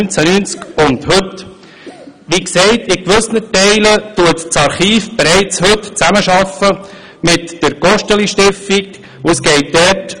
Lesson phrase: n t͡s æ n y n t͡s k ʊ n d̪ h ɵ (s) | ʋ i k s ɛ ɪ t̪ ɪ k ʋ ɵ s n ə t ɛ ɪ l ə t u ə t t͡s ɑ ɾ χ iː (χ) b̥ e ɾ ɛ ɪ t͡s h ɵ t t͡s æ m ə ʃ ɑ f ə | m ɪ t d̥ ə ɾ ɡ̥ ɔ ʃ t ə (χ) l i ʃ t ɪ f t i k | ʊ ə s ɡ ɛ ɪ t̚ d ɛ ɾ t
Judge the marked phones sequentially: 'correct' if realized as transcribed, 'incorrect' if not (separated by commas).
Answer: incorrect, incorrect, incorrect